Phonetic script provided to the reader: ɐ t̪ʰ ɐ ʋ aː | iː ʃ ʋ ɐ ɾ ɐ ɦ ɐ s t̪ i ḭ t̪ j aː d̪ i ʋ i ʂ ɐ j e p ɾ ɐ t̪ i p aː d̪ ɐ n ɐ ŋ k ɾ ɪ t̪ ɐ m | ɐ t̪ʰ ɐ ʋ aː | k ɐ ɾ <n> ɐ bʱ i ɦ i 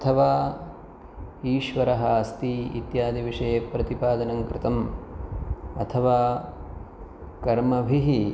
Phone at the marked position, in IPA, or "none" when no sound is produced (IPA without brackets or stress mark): m